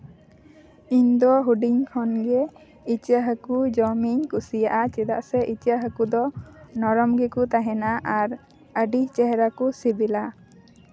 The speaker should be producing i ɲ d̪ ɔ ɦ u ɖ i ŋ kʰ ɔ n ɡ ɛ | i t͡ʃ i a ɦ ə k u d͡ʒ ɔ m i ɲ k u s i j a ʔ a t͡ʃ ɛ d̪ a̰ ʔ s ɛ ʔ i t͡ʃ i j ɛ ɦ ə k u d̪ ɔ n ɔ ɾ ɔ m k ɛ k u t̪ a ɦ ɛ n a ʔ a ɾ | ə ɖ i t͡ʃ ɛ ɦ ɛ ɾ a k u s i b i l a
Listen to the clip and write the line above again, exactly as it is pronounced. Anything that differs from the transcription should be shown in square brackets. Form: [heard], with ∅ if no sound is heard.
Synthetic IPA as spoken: i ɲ d̪ ɔ ɦ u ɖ i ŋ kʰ ɔ n ɡ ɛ | i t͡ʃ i a ɦ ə k u d͡ʒ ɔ m i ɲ k u s i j a ʔ a t͡ʃ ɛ d̪ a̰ ʔ s ɛ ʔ i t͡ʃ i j [a] ɦ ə k u d̪ ɔ n ɔ ɾ ɔ m [ɡ] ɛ k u t̪ a ɦ ɛ n a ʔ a ɾ | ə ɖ i t͡ʃ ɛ ɦ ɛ ɾ a k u s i b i l a